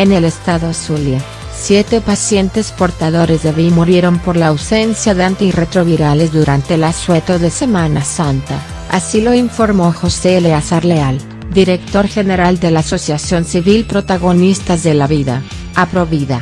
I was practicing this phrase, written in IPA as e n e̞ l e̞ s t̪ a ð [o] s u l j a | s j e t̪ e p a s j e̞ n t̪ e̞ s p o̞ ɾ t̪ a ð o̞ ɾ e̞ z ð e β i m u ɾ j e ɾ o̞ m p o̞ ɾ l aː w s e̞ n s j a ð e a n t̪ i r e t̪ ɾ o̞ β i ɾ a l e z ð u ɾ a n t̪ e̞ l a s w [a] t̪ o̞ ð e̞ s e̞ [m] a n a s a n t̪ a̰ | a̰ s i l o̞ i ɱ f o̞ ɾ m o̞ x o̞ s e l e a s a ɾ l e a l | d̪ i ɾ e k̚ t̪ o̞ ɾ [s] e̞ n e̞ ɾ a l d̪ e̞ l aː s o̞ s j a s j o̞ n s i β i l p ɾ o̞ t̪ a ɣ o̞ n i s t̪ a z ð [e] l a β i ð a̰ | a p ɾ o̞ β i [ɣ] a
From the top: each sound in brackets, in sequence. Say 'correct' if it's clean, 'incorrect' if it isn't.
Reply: correct, incorrect: e, correct, incorrect: x, correct, incorrect: ð

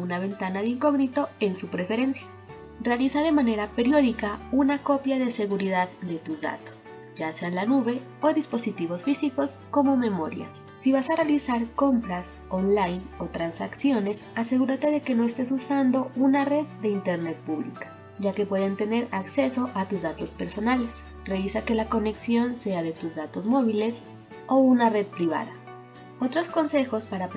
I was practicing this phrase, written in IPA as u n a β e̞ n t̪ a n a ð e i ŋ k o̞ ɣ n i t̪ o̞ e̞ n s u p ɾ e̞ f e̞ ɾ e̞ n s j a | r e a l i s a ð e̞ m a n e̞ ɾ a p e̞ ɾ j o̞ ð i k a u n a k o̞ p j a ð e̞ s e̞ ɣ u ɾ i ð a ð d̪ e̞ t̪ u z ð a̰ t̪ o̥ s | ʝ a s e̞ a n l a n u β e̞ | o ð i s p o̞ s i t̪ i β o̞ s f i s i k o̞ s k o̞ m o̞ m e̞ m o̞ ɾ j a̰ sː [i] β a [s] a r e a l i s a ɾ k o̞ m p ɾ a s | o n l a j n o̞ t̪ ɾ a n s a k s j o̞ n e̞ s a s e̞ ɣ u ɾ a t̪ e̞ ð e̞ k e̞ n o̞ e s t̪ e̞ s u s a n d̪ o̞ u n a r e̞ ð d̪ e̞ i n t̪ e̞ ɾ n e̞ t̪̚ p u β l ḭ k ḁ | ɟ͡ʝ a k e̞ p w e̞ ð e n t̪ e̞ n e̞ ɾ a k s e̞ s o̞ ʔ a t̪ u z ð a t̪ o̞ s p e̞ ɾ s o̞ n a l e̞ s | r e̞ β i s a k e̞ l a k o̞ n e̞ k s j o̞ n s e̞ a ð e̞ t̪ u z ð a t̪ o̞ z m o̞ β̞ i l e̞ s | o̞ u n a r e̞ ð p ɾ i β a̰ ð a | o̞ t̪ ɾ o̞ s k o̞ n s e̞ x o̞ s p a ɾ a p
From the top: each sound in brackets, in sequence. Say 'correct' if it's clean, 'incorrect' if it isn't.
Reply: correct, correct

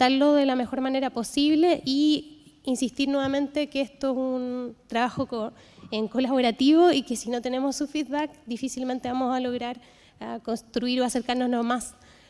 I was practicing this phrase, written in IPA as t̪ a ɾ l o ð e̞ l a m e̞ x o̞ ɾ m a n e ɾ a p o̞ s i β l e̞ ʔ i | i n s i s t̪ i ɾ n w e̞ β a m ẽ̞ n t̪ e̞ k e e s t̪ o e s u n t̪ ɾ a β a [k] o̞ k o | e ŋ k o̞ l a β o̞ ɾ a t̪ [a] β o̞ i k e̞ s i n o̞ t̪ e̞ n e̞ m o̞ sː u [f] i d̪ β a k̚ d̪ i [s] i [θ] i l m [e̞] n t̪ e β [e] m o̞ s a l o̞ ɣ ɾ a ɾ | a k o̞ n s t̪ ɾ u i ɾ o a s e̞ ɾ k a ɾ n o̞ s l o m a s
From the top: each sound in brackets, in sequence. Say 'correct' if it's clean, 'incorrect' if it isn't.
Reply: incorrect: x, incorrect: i, correct, incorrect: f, incorrect: s, correct, incorrect: a

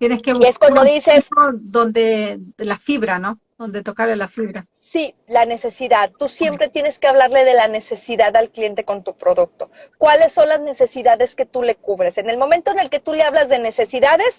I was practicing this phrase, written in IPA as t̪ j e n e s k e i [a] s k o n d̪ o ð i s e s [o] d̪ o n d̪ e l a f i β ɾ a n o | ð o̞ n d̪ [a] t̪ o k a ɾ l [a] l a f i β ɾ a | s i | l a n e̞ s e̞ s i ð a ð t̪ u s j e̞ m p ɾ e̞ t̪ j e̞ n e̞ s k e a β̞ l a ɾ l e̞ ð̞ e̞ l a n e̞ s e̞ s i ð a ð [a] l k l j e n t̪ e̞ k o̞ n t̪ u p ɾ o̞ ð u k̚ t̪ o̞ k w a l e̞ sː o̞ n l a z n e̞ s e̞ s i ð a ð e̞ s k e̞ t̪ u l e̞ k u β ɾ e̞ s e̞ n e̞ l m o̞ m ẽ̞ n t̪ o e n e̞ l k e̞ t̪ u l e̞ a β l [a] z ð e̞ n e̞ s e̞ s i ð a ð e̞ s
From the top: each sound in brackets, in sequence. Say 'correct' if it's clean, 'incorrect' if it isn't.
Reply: incorrect: e, correct, incorrect: e, incorrect: e, correct, correct

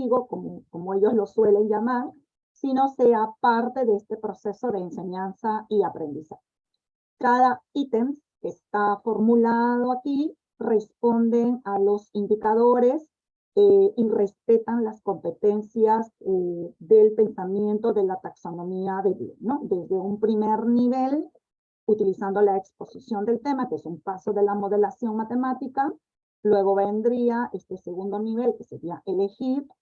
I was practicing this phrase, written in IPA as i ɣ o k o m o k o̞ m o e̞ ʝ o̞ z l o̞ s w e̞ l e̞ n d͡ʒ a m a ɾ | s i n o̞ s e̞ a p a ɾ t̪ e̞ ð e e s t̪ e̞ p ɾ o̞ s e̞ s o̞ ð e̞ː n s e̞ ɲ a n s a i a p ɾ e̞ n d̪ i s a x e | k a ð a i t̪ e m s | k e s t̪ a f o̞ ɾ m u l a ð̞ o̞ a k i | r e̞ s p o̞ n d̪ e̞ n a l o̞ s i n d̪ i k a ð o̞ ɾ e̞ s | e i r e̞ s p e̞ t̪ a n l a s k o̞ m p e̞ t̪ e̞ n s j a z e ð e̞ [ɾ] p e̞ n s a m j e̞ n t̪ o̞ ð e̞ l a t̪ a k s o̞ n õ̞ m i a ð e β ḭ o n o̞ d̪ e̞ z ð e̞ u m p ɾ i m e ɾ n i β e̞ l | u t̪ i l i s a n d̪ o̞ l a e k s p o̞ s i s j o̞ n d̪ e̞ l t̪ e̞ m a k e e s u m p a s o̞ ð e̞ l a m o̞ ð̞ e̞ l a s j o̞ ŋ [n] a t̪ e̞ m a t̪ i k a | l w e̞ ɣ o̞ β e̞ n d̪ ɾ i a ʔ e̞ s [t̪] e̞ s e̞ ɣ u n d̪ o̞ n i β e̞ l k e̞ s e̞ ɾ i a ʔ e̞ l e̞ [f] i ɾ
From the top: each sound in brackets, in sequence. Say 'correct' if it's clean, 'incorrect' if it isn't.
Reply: incorrect: l, incorrect: m, correct, incorrect: x

